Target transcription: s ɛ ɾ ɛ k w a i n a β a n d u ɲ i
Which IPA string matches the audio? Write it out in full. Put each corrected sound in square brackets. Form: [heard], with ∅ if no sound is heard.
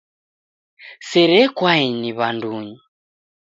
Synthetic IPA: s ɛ ɾ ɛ k w a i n [i] β a n d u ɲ i